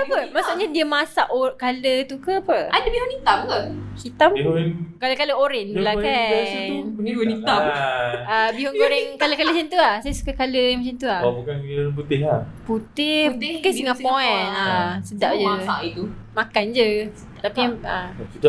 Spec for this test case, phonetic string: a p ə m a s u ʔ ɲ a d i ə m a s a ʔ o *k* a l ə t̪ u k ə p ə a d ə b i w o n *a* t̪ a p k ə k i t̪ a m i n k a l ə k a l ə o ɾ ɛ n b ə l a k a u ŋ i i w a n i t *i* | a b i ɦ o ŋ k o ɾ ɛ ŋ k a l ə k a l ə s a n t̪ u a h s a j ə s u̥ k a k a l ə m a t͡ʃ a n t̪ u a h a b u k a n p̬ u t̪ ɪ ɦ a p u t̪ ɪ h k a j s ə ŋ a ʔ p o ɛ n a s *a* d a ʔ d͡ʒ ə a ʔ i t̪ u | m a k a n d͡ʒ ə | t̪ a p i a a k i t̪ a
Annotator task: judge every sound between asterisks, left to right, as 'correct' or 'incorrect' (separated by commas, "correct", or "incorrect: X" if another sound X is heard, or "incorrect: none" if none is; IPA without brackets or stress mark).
correct, incorrect: i, incorrect: a, incorrect: ə